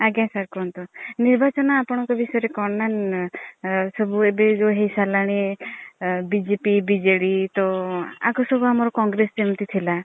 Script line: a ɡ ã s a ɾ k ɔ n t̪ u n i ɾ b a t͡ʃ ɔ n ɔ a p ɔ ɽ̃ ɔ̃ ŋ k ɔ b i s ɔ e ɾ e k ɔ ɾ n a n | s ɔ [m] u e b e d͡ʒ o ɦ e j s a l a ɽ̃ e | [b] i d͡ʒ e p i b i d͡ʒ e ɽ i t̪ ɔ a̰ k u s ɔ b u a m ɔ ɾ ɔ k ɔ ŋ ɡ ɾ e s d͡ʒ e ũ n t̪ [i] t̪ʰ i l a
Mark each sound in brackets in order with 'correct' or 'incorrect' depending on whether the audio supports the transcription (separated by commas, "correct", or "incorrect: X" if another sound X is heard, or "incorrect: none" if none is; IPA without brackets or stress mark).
incorrect: b, correct, correct